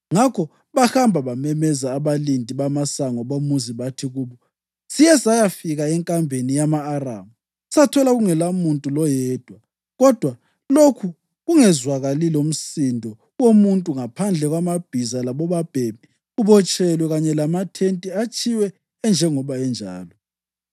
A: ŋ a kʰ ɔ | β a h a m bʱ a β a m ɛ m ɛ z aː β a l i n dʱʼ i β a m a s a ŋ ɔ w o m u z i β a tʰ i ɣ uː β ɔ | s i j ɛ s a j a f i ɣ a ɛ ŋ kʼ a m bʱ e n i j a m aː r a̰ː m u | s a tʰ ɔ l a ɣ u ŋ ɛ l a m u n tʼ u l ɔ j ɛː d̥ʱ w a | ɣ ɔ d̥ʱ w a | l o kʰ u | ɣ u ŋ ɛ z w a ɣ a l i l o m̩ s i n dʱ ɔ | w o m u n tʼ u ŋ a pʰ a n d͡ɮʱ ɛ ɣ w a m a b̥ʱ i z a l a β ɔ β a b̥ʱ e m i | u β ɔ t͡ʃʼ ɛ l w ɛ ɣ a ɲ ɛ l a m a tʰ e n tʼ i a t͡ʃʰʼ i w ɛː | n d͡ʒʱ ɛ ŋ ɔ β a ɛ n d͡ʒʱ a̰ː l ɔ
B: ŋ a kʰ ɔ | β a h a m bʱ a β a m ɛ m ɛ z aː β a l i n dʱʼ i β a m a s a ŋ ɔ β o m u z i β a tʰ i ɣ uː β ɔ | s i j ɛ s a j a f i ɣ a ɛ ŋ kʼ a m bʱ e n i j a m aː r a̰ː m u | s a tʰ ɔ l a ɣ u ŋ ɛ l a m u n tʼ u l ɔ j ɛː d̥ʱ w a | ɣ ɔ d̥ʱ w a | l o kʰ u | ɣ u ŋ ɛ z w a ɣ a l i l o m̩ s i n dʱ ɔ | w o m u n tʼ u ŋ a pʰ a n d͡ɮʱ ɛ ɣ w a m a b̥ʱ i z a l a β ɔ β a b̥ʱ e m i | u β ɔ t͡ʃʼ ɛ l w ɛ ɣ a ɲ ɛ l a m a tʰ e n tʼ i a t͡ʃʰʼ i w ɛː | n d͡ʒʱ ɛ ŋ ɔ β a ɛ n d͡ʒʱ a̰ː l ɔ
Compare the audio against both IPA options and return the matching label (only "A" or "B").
B